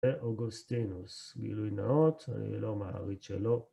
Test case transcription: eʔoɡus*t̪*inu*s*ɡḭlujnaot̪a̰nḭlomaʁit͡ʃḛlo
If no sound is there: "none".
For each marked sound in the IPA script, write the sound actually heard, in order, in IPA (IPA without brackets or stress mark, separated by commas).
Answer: t̪, s